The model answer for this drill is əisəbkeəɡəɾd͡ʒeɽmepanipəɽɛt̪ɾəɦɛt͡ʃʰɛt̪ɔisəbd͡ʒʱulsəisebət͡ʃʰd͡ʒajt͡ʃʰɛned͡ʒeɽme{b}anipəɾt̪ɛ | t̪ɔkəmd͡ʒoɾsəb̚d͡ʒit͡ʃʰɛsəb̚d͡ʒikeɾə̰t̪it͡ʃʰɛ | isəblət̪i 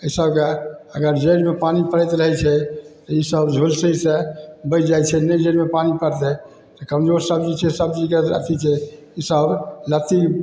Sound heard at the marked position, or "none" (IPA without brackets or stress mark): p